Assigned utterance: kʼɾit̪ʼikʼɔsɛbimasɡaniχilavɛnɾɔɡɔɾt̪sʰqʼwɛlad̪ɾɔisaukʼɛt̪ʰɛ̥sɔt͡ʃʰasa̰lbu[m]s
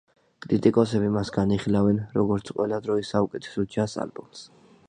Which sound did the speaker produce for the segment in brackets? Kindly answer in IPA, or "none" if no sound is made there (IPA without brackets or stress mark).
m